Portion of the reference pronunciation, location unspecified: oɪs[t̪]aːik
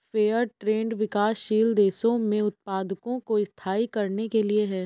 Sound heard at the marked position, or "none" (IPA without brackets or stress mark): t̪ʰ